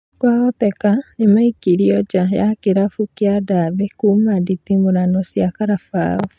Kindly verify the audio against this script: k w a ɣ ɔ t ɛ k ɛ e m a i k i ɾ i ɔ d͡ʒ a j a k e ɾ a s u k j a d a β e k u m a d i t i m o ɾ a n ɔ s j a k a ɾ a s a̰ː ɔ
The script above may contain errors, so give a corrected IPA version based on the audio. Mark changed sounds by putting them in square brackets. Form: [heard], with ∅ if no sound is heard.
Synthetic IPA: k w a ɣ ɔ t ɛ k [a] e m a i k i ɾ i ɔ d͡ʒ a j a k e ɾ a [f] u k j a d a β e k u m a d i t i m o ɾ a n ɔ s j a k a ɾ a [f] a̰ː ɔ

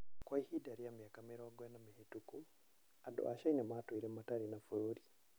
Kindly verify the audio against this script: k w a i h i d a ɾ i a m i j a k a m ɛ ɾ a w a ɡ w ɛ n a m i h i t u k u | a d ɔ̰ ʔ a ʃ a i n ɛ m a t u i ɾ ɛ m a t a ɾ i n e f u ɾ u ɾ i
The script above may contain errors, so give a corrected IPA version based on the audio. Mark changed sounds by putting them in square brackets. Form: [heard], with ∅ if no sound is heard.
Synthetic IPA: k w a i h i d a ɾ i a m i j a k a m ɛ ɾ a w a ɡ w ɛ n a m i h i t u k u | a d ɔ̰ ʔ a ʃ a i n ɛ m a t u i ɾ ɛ m a t a ɾ i n [a] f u ɾ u ɾ i

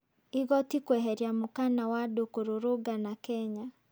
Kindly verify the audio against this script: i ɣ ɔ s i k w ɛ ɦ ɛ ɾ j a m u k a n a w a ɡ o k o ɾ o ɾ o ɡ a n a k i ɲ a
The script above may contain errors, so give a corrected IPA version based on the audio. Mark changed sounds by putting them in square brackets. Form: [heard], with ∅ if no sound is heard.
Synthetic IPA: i ɣ ɔ [t] i k w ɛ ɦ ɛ ɾ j a m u k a n a w a [d] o k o ɾ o ɾ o ɡ a n a k [ɛ] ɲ a

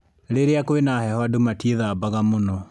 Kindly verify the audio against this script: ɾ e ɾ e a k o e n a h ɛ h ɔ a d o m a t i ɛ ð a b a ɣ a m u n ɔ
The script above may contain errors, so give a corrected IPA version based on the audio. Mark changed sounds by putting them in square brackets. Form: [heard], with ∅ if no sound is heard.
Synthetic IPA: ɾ e ɾ e a k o e n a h ɛ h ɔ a d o m a t i [e] ð a b a ɣ a m [o] n ɔ

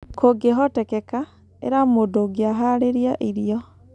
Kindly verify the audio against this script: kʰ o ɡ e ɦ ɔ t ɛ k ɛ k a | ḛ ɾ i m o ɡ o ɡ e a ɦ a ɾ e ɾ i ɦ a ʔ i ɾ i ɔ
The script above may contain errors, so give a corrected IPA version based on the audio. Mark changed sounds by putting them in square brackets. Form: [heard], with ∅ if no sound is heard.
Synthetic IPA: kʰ o ɡ e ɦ ɔ t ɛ k ɛ k a | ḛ ɾ [a] m o [d] o ɡ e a ɦ a ɾ e ɾ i [∅] a ʔ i ɾ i ɔ

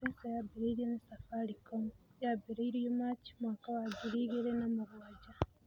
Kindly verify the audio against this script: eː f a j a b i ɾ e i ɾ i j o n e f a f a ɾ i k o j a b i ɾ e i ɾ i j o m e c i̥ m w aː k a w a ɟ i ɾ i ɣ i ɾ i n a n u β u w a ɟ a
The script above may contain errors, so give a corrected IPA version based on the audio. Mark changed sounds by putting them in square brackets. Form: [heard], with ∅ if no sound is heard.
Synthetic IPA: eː [s] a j a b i ɾ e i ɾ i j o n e [s] a f a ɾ i k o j a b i ɾ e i ɾ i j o m [a] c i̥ m w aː k a w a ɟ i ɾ i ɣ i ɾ [e] n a [m] u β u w a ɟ a

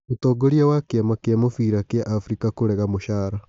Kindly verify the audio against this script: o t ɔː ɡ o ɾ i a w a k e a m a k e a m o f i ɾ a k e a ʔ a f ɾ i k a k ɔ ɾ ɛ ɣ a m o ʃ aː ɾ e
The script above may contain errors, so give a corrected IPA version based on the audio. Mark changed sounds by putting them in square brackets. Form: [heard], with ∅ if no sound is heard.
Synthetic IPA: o t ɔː ɡ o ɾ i a w a k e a m a k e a m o f i ɾ a k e a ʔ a f ɾ i k a k [o] ɾ ɛ ɣ a m o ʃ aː ɾ [a]

